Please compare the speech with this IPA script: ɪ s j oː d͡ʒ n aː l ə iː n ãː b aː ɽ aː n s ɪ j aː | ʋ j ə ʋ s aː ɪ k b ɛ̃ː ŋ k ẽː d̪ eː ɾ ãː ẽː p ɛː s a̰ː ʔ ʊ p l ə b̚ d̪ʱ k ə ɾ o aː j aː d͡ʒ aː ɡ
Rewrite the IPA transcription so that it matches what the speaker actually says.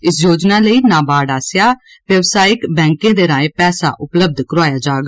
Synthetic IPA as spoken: ɪ s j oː d͡ʒ n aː l ə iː n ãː b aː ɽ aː s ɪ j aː | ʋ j ə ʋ s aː ɪ k b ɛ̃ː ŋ k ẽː d̪ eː ɾ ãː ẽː p ɛː s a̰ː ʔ ʊ p l ə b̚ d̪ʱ k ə ɾ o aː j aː d͡ʒ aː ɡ